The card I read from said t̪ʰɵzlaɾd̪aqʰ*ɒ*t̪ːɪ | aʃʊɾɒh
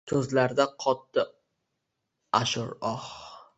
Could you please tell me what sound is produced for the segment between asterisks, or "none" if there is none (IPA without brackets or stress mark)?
ɒ